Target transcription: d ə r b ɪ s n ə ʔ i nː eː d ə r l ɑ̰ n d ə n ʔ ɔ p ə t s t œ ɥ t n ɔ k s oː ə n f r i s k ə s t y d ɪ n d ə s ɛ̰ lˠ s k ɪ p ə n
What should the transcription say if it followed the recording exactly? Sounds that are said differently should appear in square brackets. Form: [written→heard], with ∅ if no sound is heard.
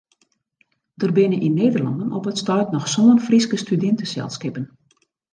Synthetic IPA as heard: d ə r b ɪ [s→∅] n ə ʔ i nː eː d ə r l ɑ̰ n d ə n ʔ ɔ p ə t s t œ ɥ t n ɔ [k→x] s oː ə n f r i s k ə s t y d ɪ n [d→t] ə s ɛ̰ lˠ s k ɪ p ə n